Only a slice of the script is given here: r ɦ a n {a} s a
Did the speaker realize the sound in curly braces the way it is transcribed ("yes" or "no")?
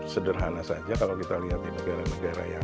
yes